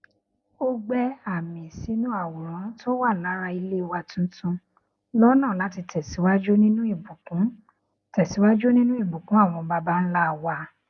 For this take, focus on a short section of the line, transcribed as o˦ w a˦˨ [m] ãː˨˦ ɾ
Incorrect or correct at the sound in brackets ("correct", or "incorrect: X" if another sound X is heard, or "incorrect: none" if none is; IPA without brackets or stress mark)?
incorrect: n